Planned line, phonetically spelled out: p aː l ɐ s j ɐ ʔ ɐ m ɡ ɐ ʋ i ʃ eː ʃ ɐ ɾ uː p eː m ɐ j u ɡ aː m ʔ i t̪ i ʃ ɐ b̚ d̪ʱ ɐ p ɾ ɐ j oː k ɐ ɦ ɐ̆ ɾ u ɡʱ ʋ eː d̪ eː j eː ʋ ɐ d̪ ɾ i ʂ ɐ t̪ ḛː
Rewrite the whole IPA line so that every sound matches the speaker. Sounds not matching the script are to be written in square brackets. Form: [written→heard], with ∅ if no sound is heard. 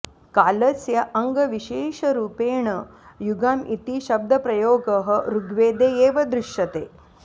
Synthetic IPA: [p→k] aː l ɐ s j ɐ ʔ ɐ [m→ŋ] ɡ ɐ ʋ i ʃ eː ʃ ɐ ɾ uː p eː [m→ɳ] ɐ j u ɡ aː m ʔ i t̪ i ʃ ɐ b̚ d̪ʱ ɐ p ɾ ɐ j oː [k→ɡ] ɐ ɦ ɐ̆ ɾ u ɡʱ ʋ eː d̪ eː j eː ʋ ɐ d̪ ɾ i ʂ ɐ t̪ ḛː